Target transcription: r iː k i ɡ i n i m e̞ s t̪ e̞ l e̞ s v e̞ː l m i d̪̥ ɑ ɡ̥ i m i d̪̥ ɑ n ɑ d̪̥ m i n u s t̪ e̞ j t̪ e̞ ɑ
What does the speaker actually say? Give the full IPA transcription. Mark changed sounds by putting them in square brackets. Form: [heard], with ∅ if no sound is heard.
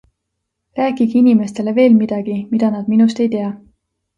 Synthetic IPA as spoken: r [æː] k i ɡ i n i m e̞ s t̪ e̞ l e̞ [∅] v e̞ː l m i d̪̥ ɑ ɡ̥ i m i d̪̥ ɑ n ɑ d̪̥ m i n u s t̪ e̞ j t̪ e̞ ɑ